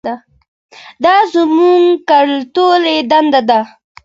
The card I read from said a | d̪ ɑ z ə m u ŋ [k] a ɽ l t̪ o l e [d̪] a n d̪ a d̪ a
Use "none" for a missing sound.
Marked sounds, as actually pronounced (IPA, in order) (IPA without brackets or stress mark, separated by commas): k, d̪